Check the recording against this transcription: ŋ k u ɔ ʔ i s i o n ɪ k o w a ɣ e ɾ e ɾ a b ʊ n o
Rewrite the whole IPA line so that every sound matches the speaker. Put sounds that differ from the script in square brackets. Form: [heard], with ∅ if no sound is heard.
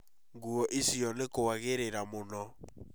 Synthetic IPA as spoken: ŋ [ɡ] u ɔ ʔ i s i [ɔ] n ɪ k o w a ɣ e ɾ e ɾ a [m] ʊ n [ɔ]